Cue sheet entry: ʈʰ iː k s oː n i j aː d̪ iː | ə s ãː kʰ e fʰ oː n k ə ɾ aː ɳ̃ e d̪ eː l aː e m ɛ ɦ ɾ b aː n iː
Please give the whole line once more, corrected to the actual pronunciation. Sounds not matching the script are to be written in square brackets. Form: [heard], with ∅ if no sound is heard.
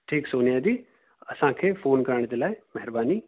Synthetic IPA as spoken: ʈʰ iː k s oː n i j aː d̪ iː | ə s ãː kʰ e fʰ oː n k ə ɾ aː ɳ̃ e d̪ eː l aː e m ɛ ɦ ɾ b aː n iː